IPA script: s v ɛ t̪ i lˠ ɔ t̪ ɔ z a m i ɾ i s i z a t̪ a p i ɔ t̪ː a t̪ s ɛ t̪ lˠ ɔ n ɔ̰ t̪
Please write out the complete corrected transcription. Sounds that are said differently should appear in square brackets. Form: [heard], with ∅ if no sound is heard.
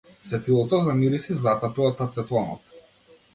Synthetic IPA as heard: s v ɛ t̪ i lˠ ɔ t̪ ɔ z a m i ɾ i s i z a t̪ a p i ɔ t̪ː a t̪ s ɛ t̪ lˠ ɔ n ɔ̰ t̪